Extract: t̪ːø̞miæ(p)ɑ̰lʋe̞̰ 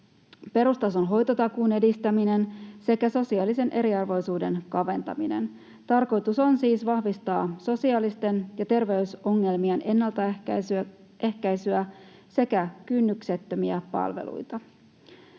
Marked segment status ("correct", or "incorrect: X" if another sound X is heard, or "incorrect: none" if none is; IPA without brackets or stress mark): correct